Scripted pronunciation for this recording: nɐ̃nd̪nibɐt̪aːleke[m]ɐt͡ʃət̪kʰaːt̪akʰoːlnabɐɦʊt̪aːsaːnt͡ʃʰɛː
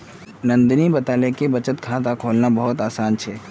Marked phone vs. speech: incorrect: b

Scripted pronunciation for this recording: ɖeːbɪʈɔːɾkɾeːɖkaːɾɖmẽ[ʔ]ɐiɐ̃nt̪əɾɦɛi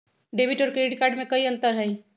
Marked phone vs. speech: incorrect: k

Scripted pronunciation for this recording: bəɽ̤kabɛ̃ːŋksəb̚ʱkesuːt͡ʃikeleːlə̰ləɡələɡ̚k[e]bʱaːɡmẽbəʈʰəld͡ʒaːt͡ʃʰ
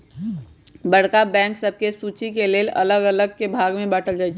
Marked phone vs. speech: correct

